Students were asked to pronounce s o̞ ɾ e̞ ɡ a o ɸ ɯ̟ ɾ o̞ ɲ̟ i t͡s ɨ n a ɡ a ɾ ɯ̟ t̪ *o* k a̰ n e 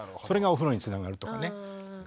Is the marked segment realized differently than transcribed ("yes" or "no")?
no